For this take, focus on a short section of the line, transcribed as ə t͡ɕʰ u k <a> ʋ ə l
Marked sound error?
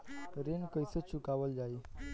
no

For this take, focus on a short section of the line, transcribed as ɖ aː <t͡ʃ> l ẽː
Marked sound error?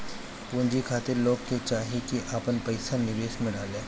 yes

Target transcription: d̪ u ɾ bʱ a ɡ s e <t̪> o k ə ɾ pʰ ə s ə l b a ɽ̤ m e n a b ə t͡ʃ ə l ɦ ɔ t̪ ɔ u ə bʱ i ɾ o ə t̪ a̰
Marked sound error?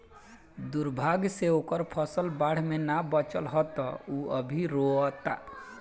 yes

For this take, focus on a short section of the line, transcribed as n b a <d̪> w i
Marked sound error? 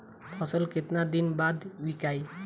no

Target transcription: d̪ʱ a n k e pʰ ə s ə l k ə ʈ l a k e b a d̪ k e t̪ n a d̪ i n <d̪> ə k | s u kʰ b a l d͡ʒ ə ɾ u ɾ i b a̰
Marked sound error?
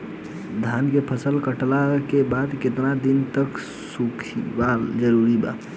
yes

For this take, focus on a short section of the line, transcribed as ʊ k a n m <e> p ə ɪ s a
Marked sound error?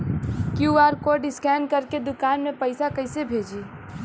no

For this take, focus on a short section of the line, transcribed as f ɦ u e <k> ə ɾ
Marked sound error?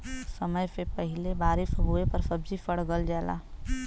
yes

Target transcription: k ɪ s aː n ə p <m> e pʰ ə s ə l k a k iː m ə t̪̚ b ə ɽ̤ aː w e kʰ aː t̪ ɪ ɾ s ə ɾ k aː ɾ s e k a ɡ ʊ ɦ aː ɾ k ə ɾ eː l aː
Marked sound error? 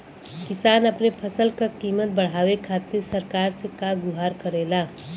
yes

